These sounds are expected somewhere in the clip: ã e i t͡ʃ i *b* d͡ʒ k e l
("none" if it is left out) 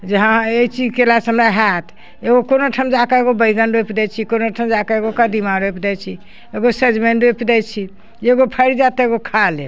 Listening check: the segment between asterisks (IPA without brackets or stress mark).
none